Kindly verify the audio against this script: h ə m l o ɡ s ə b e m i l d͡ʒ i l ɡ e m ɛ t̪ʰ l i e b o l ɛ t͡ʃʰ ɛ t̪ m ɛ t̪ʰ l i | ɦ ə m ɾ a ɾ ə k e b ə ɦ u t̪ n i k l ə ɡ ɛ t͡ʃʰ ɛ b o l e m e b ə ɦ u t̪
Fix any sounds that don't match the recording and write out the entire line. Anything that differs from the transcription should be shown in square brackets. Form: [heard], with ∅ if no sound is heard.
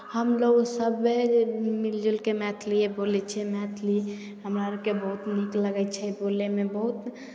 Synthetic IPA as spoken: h ə m l o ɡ s ə b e m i l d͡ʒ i l [k] e m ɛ t̪ʰ l i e b o l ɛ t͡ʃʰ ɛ [∅] m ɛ t̪ʰ l i | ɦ ə m ɾ a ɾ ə k e b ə ɦ u t̪ n i k l ə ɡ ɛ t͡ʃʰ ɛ b o l e m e b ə ɦ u t̪